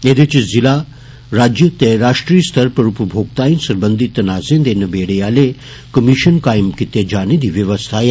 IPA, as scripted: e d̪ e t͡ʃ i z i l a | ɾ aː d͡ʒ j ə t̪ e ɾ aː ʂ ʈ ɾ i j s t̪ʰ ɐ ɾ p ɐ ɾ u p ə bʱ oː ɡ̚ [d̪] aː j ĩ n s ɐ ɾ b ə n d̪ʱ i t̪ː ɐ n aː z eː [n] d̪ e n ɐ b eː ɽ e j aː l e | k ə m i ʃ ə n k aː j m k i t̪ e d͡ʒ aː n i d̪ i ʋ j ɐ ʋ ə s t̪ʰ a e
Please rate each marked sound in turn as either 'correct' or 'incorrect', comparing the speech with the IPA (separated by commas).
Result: incorrect, correct